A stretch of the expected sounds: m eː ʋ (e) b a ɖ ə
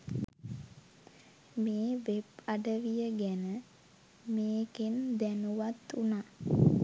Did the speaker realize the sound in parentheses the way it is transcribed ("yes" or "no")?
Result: yes